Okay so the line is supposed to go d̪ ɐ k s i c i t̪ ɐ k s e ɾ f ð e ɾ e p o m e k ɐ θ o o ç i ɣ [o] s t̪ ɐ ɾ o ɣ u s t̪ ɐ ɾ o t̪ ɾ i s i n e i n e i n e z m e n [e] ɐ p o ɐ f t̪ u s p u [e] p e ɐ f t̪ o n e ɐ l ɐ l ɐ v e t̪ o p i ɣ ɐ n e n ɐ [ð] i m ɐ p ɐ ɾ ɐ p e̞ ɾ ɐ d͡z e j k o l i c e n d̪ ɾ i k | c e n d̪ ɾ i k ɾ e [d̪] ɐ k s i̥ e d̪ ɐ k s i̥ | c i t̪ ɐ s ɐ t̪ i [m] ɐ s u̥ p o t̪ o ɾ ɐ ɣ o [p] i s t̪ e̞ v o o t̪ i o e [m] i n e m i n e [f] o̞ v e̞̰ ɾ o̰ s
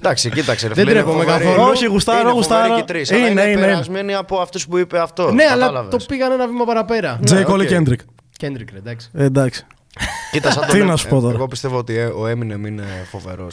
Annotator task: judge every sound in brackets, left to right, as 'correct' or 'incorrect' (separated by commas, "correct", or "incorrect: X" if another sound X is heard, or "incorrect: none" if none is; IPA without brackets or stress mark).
incorrect: u, incorrect: i, incorrect: i, incorrect: v, correct, incorrect: n, correct, correct, correct